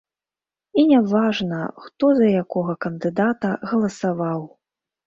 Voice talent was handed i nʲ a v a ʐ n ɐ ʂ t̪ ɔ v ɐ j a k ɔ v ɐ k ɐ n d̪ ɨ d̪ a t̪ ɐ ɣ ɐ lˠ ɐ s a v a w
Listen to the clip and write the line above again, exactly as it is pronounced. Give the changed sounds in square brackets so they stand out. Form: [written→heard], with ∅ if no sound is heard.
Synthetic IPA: i nʲ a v a ʐ n ɐ [ʂ→x] t̪ ɔ [v→z] ɐ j a k ɔ [v→ɣ] ɐ k ɐ n d̪ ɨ d̪ a t̪ ɐ ɣ ɐ lˠ ɐ s a v a w